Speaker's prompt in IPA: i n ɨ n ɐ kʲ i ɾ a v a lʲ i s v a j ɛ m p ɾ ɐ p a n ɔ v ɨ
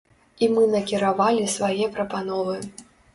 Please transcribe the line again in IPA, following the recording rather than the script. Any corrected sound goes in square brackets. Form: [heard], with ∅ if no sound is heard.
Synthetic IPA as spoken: i [m] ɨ n ɐ kʲ i ɾ a v a lʲ i s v a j ɛ [∅] p ɾ ɐ p a n ɔ v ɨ